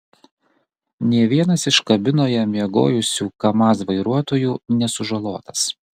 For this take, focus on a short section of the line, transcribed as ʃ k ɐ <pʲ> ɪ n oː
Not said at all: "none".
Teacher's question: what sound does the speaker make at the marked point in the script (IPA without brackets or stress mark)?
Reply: bʲ